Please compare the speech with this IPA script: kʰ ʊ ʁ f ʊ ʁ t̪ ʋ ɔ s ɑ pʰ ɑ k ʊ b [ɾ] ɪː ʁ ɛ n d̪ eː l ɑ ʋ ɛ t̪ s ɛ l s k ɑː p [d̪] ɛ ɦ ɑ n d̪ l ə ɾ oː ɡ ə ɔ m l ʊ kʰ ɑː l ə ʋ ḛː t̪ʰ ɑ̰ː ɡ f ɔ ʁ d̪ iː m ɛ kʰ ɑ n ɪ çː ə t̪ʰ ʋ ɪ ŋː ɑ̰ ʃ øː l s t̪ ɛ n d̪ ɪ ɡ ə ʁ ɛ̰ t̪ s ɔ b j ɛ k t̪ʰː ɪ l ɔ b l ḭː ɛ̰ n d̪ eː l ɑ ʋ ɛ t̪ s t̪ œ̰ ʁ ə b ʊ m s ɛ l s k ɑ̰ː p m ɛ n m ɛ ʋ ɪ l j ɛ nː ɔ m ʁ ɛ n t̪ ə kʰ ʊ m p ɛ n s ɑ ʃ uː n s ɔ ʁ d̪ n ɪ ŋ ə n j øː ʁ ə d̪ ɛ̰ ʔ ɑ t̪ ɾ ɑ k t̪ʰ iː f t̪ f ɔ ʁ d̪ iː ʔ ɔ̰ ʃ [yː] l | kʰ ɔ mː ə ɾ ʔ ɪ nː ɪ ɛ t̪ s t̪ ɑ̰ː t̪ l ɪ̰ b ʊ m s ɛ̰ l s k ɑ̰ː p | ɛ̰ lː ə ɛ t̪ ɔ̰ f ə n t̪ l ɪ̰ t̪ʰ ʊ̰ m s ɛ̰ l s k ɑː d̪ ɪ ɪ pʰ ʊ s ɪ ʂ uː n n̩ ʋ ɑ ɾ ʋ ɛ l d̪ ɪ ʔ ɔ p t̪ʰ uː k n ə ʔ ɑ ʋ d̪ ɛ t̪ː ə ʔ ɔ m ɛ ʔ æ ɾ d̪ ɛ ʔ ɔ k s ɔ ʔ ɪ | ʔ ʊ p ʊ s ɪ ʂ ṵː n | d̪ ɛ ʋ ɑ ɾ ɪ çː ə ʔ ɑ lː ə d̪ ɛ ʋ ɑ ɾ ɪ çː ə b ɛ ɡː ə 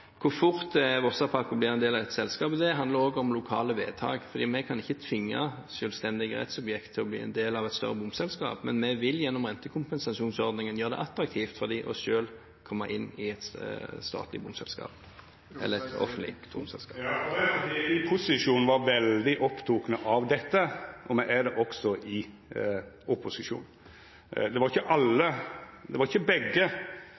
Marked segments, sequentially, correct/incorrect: incorrect: l, correct, incorrect: øː

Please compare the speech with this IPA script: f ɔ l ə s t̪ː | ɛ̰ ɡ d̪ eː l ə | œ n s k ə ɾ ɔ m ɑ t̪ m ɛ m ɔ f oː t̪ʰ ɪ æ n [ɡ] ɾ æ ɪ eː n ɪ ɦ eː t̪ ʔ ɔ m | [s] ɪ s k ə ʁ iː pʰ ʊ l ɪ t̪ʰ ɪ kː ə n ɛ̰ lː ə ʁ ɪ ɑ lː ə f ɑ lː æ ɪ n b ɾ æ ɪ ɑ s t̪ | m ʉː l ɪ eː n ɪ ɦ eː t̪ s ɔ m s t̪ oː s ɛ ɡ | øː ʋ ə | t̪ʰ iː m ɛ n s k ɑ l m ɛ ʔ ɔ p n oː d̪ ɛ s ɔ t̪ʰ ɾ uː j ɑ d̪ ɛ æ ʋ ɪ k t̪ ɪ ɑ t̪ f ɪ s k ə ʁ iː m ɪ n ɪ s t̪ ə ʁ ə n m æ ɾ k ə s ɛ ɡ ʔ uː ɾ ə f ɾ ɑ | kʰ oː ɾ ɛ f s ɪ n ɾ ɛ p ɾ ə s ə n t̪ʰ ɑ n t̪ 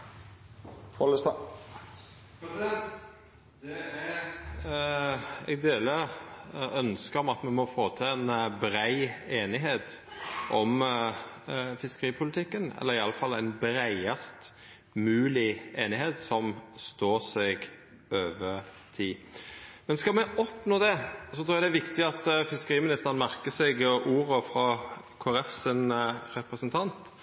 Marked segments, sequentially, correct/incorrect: incorrect: b, incorrect: f

